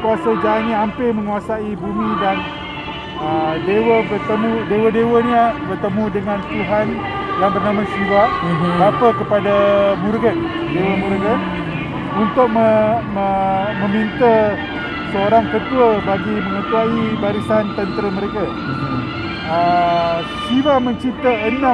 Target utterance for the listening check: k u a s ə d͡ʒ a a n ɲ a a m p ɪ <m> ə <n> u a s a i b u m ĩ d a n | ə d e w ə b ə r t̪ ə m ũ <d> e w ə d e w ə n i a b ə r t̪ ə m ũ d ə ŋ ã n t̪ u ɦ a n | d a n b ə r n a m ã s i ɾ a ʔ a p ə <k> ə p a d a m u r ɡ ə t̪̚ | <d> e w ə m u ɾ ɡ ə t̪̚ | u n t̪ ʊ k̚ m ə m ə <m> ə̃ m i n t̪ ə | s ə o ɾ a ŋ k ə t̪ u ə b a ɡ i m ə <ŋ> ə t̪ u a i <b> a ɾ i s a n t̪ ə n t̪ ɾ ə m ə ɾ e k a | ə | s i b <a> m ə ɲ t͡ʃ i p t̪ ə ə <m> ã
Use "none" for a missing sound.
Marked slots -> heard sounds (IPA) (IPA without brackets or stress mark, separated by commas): m, ŋ, d, k, d, m, ŋ, b, a, n